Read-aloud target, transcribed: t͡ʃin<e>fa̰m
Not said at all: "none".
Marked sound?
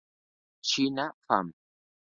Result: a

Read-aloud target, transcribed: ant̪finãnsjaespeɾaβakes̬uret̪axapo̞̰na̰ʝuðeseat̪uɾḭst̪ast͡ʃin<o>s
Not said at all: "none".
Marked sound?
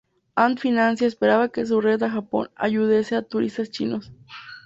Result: o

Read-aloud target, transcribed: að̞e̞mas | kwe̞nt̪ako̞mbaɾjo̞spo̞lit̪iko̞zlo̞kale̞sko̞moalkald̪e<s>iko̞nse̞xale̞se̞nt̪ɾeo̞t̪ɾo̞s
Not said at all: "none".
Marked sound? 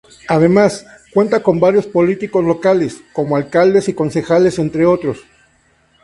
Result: s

